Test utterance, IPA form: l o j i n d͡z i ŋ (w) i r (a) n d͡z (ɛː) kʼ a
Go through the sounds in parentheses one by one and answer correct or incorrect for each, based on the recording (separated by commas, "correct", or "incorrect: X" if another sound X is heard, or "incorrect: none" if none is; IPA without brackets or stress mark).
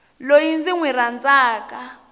correct, correct, incorrect: aː